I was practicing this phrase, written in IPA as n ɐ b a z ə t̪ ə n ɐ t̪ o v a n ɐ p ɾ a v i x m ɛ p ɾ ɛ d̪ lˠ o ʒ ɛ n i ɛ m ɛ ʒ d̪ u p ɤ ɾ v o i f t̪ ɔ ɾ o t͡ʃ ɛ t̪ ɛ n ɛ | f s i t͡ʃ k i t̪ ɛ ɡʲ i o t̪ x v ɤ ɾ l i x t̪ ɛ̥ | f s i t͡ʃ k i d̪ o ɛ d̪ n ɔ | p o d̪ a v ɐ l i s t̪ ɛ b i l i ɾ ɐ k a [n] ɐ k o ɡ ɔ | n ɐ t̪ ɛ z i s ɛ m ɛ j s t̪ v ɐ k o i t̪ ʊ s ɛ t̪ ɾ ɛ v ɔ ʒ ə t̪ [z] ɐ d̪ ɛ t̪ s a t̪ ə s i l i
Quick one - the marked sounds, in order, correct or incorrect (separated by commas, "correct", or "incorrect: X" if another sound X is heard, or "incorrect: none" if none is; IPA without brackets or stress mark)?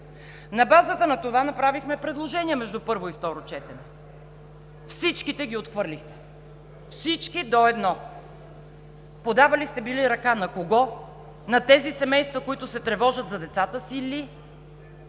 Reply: correct, correct